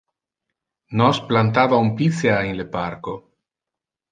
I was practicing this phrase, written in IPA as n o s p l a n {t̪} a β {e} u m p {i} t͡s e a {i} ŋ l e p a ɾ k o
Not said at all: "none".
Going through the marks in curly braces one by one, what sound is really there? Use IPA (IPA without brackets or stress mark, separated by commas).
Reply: t̪, a, i, e